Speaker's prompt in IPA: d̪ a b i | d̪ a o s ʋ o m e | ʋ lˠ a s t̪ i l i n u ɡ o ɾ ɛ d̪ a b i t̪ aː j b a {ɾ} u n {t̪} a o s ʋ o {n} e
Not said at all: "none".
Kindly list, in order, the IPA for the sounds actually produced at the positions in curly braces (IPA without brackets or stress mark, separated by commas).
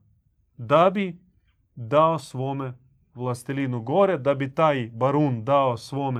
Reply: ɾ, d̪, m